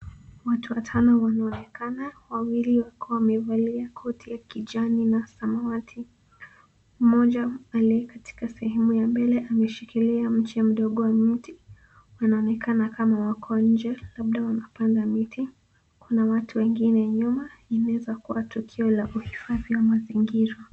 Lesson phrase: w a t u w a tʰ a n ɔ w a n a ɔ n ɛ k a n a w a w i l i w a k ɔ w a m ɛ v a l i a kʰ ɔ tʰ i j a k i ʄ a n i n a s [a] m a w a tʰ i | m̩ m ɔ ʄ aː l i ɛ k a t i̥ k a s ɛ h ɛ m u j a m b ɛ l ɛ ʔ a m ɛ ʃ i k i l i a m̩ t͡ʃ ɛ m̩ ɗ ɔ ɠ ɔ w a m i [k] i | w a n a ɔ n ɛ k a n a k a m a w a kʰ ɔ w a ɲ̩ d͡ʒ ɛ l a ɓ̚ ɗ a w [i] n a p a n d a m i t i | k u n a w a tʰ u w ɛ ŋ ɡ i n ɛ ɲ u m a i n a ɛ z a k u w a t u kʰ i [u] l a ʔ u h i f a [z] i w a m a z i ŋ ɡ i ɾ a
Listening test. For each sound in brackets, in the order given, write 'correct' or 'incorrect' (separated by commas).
correct, incorrect, incorrect, incorrect, incorrect